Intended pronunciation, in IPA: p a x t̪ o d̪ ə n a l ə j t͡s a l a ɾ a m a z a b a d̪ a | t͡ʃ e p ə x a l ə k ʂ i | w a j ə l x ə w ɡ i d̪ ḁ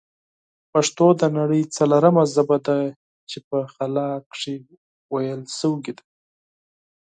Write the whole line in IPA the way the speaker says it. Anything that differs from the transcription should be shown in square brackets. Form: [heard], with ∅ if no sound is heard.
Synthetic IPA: p a [ʂ] t̪ o d̪ ə n a [ɽ] ə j t͡s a l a ɾ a m a z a b a d̪ a | t͡ʃ e p ə x a l [ɑ] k ʂ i | w a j ə l [s] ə w ɡ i d̪ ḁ